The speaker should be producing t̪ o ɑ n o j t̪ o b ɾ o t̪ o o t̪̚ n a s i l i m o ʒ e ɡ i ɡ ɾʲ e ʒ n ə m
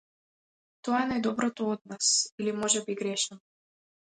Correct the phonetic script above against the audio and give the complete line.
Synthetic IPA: t̪ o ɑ n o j d̪ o b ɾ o t̪ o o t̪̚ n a s i l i m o ʒ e b i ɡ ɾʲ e ʃ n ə m